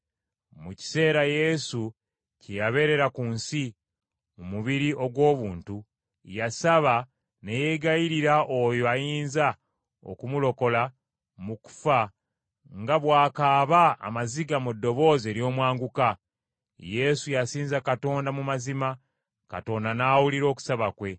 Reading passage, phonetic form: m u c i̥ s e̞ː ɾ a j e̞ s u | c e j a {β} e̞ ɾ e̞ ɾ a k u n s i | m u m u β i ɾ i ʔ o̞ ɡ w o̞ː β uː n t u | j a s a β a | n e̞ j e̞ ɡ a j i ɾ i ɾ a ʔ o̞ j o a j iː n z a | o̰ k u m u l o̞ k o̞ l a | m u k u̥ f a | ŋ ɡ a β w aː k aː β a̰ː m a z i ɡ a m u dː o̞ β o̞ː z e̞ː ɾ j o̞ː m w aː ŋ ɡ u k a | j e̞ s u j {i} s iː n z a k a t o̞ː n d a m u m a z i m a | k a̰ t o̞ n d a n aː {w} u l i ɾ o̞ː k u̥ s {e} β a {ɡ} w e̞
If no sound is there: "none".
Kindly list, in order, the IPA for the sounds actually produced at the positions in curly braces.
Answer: β, a, w, a, k

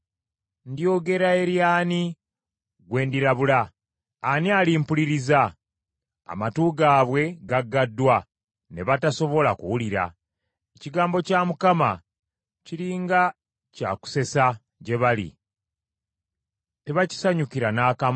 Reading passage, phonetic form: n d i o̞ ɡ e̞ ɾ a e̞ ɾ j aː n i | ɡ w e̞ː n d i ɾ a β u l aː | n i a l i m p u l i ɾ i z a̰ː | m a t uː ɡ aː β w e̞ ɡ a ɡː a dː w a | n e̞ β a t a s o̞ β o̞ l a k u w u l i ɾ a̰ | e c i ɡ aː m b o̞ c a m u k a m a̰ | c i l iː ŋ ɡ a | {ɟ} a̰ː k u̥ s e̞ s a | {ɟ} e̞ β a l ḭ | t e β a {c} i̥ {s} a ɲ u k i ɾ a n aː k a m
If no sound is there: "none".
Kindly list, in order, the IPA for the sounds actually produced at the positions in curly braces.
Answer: c, ɟ, c, s

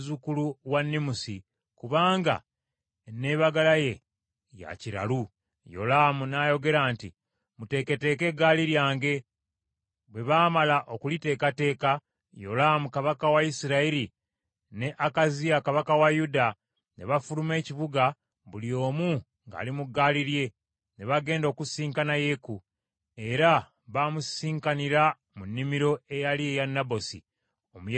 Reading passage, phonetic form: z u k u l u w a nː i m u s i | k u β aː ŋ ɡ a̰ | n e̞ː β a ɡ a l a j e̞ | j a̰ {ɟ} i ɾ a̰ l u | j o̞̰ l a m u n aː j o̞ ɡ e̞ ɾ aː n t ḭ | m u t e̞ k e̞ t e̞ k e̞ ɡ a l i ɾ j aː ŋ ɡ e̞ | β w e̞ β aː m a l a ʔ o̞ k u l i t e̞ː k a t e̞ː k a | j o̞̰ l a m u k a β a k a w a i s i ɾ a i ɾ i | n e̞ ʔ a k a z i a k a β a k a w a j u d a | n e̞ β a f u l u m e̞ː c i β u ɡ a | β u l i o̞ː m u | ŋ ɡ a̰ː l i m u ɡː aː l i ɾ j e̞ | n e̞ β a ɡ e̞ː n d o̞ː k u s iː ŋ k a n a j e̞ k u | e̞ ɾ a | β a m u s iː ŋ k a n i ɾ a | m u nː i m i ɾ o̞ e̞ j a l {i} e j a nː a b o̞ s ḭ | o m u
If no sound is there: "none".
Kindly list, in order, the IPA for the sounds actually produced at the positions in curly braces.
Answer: c, i

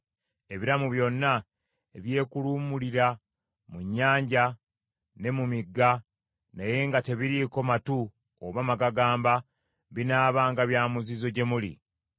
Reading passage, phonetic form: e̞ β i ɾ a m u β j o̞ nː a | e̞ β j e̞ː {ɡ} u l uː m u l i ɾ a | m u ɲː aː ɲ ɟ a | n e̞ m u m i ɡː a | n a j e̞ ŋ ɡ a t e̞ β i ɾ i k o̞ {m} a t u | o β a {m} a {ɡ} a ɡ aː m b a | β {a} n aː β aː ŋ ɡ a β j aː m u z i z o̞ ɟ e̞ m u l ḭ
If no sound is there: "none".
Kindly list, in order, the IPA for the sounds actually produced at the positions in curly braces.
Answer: k, m, m, ɡ, i

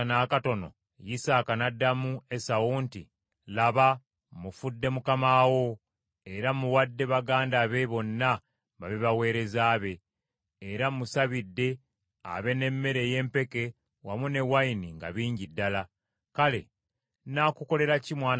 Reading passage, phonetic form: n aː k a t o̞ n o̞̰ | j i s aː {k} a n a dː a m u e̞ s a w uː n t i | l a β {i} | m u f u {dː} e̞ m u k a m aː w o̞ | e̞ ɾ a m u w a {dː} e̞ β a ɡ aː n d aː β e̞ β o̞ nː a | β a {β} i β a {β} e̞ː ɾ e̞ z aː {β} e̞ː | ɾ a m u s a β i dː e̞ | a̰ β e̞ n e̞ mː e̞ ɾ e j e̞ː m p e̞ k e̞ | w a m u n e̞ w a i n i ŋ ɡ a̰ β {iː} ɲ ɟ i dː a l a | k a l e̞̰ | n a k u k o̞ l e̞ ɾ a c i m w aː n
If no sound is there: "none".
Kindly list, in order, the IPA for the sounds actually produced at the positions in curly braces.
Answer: k, a, dː, dː, β, w, β, iː

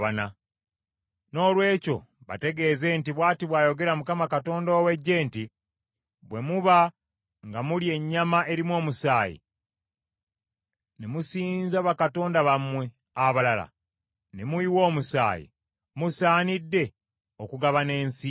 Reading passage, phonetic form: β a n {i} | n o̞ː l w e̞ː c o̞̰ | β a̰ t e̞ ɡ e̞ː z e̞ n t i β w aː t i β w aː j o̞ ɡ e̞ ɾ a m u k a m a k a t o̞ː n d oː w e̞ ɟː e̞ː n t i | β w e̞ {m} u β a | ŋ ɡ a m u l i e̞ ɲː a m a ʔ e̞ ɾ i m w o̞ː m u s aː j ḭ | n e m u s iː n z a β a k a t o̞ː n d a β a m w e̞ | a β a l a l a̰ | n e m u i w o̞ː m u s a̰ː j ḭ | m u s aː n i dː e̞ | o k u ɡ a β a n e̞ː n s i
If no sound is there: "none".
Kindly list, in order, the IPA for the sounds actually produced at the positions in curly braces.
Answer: a, m

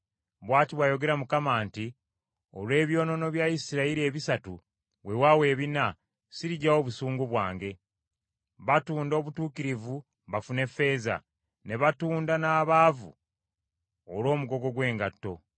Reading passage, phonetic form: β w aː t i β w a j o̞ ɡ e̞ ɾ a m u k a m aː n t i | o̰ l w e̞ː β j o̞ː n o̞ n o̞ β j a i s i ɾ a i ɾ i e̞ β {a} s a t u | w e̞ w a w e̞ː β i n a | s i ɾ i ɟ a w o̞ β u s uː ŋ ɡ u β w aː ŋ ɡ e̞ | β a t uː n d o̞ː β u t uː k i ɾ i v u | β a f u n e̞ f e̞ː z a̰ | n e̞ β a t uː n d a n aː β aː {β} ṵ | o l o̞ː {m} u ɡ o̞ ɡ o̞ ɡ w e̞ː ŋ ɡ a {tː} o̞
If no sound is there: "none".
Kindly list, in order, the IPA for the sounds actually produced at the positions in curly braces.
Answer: i, v, m, tː

